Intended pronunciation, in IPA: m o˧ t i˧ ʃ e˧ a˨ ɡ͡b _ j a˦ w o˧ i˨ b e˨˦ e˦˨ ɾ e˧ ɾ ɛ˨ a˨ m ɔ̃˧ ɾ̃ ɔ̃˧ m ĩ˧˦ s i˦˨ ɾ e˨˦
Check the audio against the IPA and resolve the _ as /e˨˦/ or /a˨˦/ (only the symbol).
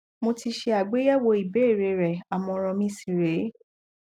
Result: e˨˦